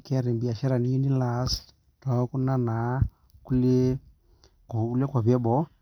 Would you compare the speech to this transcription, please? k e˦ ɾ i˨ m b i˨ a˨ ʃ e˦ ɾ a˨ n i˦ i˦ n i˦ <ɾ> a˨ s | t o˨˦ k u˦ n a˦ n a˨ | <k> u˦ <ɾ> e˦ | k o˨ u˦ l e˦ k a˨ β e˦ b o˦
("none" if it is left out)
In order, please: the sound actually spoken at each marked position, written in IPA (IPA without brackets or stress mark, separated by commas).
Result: l, k, l